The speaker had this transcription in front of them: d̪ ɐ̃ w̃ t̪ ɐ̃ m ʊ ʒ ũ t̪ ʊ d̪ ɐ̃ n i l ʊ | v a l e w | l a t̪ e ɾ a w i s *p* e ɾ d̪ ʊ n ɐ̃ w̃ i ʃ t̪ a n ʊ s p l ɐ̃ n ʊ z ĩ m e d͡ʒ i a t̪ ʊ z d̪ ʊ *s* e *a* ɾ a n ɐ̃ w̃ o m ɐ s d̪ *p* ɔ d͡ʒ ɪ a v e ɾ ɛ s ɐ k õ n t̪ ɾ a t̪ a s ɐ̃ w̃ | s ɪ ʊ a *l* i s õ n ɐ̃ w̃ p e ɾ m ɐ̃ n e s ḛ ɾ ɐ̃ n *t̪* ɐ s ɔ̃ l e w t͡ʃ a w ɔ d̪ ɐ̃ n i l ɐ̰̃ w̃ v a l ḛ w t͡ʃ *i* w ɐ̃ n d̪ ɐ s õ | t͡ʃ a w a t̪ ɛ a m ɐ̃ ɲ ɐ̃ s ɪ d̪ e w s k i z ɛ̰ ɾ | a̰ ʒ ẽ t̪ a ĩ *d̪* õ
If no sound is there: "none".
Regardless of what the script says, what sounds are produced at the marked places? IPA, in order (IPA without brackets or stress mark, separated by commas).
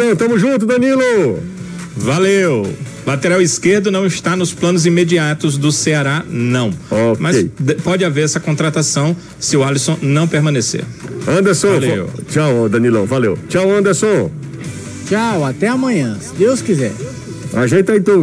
k, s, a, p, l, d̪, a, t̪